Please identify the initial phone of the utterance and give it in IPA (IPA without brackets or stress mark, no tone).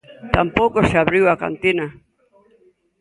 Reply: t̪